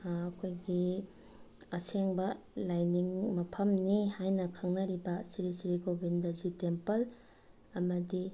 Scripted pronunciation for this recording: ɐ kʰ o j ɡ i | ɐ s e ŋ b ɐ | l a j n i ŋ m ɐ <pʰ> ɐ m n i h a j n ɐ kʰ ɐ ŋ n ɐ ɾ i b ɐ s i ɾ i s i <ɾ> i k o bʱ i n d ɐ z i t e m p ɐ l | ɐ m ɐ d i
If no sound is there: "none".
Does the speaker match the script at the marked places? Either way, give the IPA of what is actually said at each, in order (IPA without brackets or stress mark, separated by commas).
pʰ, ɾ